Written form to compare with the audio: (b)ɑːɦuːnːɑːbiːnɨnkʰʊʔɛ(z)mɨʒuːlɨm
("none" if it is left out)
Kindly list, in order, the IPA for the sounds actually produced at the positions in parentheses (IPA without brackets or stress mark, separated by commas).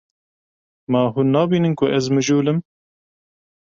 m, z